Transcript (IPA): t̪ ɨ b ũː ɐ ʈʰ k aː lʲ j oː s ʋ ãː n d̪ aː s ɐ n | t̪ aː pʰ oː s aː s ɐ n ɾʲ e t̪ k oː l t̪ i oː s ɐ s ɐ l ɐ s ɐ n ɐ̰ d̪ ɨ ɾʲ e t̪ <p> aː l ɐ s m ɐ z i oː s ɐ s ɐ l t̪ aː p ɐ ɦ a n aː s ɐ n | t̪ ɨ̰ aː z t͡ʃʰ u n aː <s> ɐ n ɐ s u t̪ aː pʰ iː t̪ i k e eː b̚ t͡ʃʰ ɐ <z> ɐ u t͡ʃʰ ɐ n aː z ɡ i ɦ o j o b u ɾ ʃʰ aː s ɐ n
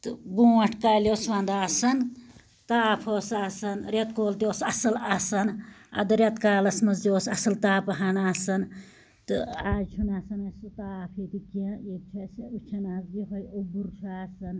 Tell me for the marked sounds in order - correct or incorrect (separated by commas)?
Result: incorrect, correct, incorrect